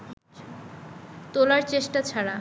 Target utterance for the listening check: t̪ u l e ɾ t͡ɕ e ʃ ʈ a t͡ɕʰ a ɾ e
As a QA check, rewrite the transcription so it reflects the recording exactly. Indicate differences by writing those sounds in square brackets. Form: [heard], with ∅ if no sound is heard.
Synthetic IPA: t̪ [o] l [a] ɾ t͡ɕ e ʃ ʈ a t͡ɕʰ a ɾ [a]